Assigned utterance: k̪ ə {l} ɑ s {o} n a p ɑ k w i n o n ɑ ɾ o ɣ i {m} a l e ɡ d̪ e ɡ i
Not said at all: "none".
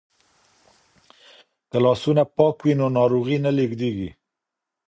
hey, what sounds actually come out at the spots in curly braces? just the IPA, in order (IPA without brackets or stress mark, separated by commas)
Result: l, u, n